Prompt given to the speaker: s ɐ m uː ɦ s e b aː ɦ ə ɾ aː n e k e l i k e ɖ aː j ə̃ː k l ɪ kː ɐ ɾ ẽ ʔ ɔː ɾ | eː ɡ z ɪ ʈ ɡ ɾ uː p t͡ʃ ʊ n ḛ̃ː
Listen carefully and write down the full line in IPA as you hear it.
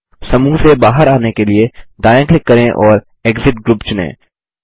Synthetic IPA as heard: s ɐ m uː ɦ s e b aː ɦ ə ɾ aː n e k e l i e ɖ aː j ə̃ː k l ɪ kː ɐ ɾ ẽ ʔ ɔː ɾ | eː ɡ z ɪ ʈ ɡ ɾ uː p t͡ʃ ʊ n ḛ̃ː